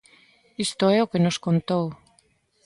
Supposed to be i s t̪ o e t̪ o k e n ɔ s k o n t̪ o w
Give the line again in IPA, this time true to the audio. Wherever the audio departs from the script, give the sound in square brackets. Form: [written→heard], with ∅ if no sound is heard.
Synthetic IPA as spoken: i s t̪ o e [t̪→∅] o k e n [ɔ→o] s k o n t̪ o w